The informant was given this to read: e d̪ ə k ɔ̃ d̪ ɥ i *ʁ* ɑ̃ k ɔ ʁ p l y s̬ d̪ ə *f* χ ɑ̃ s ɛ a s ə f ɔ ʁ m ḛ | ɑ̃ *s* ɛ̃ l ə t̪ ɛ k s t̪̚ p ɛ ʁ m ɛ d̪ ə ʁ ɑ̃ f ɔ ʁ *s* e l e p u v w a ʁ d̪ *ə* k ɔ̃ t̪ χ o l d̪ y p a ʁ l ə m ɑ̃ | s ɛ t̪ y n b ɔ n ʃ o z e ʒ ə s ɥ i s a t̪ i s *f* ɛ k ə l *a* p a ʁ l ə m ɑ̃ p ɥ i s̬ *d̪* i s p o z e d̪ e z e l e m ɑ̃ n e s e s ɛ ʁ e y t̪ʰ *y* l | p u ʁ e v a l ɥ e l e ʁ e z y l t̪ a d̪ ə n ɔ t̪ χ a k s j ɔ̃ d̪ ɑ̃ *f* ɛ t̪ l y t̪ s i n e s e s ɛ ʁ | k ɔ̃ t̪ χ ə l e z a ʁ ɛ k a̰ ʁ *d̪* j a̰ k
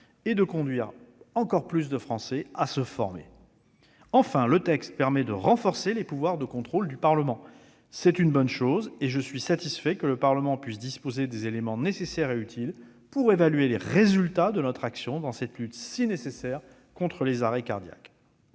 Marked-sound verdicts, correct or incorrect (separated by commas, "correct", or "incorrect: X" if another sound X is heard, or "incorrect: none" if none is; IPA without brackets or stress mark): correct, correct, incorrect: f, correct, correct, correct, incorrect: ə, correct, incorrect: i, incorrect: s, correct